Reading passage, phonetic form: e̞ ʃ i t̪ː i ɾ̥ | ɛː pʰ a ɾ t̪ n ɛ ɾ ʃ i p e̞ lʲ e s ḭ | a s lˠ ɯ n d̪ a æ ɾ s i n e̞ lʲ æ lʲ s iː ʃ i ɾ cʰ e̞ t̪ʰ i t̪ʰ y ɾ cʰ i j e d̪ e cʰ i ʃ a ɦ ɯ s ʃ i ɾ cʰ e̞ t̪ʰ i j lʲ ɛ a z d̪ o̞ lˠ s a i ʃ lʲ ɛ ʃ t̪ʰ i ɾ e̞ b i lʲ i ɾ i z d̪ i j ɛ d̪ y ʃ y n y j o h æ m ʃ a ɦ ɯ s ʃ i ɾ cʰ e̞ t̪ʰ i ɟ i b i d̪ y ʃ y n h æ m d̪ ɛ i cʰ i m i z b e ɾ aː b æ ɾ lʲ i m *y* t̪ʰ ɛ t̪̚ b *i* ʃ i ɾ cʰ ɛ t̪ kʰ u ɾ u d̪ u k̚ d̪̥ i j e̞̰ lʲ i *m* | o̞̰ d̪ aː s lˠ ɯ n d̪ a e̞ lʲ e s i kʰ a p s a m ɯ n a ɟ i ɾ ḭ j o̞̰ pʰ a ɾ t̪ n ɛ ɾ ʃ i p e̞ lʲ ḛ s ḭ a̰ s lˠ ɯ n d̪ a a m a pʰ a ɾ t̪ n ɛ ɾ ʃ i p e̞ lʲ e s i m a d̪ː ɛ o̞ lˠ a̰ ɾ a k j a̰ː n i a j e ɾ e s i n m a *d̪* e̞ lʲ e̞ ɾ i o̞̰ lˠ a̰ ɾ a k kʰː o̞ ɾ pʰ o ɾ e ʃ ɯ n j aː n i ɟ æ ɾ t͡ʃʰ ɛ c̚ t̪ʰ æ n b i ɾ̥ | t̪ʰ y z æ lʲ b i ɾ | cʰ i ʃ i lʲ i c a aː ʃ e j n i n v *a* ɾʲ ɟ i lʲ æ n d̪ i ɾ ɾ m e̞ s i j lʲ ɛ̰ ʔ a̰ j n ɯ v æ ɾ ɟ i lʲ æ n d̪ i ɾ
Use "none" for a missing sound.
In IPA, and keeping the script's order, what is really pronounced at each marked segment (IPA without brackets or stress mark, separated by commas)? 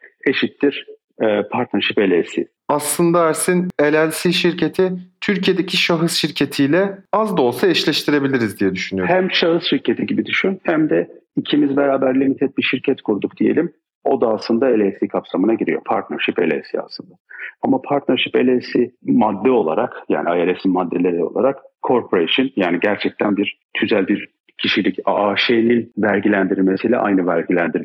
i, i, m, d̪ː, æ